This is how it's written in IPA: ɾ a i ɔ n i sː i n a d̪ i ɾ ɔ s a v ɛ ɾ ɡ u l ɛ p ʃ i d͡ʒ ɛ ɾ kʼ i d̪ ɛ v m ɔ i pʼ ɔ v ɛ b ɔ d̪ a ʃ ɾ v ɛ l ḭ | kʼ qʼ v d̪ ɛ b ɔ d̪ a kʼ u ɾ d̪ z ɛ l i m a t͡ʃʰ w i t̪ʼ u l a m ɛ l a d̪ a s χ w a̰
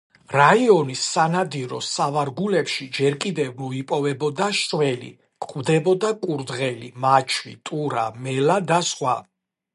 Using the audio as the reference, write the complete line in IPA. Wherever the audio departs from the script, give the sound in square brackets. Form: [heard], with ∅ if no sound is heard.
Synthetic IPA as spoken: ɾ a i ɔ n i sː [a] n a d̪ i ɾ ɔ s a v [a] ɾ ɡ u l ɛ p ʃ i d͡ʒ ɛ ɾ kʼ i d̪ ɛ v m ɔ i pʼ ɔ v ɛ b ɔ d̪ a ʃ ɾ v ɛ l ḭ | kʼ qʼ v d̪ ɛ b ɔ d̪ a kʼ u ɾ d̪ [ʁ] ɛ l i m a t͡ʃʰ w i t̪ʼ u [ɾ] a m ɛ l a d̪ a s χ w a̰